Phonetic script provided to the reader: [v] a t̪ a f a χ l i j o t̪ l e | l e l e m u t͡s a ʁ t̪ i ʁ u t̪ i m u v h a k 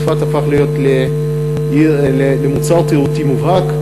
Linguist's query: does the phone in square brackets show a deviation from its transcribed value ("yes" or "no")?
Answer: yes